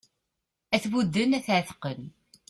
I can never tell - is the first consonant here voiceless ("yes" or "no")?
yes